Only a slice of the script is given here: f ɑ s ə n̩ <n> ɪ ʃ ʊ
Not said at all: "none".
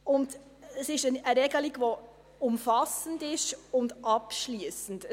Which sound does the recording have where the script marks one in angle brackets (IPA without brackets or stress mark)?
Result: d